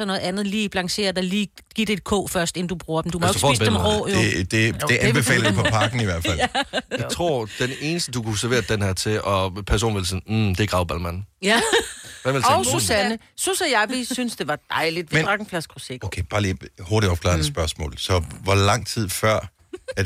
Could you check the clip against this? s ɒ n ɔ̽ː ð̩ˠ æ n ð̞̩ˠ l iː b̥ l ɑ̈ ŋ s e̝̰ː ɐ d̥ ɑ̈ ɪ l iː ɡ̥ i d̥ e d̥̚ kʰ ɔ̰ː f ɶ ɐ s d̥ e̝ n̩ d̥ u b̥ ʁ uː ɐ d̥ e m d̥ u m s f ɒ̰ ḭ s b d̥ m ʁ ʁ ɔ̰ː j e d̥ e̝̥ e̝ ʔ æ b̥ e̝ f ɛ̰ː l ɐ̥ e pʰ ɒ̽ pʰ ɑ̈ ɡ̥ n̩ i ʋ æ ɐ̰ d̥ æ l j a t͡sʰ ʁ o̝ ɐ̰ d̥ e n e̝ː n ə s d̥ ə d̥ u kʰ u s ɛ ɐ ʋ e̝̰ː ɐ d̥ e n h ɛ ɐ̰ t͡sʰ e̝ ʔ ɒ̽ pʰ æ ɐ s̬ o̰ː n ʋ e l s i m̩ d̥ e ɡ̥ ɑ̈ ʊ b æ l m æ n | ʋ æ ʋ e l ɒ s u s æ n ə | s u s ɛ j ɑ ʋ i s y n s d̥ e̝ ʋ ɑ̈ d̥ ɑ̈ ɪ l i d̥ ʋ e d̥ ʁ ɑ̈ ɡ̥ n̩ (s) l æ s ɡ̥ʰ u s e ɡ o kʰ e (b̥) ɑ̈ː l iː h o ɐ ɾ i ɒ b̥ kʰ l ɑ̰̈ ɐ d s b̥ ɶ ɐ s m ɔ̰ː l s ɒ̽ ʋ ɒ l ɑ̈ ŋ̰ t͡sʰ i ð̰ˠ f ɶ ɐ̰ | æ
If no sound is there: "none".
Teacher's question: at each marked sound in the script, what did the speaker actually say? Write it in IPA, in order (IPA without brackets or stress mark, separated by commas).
f, b̥